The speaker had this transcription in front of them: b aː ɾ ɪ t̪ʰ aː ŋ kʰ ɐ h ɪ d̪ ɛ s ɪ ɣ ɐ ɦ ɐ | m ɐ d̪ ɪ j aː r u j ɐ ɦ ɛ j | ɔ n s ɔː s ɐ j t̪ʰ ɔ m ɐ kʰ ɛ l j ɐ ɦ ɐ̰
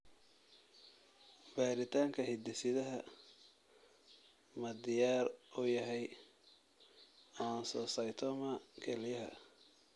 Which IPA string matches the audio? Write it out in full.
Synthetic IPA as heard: b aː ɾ ɪ t̪ʰ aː ŋ kʰ ɐ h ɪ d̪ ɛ s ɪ ð ɐ ɦ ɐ | m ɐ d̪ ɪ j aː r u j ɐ ɦ ɛ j | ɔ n s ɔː s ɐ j t̪ʰ ɔ m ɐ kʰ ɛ l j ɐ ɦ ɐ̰

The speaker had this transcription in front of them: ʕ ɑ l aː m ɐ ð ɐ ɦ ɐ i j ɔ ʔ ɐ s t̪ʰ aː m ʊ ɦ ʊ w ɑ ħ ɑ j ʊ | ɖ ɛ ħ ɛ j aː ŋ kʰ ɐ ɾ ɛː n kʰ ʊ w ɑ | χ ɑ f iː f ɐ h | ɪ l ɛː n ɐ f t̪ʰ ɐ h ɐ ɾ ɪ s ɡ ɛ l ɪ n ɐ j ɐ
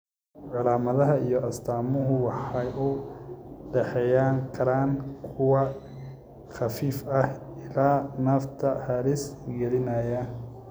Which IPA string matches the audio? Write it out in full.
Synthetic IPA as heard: ʕ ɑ l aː m ɐ ð ɐ ɦ ɐ i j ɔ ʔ ɐ s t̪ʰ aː m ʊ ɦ ʊ w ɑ ħ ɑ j ʊ | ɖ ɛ ħ ɛ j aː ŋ kʰ ɐ ɾ aː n kʰ ʊ w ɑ | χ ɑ f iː f ɐ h | ɪ l aː n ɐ f t̪ʰ ɐ h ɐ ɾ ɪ s ɡ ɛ l ɪ n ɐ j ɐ

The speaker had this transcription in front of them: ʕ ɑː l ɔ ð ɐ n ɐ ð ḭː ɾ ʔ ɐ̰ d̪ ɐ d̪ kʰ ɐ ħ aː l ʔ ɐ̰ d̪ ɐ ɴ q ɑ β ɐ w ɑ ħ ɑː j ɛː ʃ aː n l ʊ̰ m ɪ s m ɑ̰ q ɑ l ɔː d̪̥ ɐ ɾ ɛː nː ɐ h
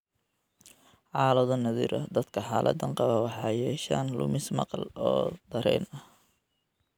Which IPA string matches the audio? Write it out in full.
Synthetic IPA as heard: ʕ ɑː l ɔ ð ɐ n ɐ ð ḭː ɾ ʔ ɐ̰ d̪ ɐ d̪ kʰ ɐ ħ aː l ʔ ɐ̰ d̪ ɐ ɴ q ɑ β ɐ w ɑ ħ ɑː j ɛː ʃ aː n l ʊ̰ m ɪ s m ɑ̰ q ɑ l ɔː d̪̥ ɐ ɾ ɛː n ɐ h

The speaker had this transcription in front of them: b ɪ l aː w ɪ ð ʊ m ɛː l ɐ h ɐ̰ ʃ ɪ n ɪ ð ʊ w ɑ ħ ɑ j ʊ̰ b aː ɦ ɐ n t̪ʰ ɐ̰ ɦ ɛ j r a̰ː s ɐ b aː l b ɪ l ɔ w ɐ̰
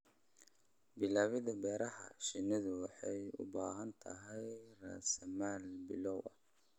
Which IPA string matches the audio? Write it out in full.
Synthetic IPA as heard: b ɪ l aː w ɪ ð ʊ b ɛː ɾ ɐ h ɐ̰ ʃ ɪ n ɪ ð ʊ w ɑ ħ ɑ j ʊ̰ b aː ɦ ɐ n t̪ʰ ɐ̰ ɦ ɛ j r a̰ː s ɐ m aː l b ɪ l ɔ w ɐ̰

